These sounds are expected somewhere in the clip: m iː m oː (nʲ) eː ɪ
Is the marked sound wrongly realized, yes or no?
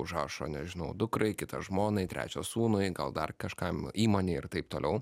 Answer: no